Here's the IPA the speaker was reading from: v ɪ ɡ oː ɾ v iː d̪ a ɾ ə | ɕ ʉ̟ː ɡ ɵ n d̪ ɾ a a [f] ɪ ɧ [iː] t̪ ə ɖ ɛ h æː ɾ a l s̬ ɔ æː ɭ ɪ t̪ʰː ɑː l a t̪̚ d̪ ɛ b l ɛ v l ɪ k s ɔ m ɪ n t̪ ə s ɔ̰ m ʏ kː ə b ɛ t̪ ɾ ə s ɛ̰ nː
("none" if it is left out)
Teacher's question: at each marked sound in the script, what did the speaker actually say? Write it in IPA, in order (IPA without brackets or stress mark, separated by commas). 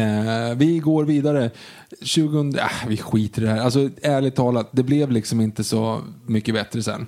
v, iː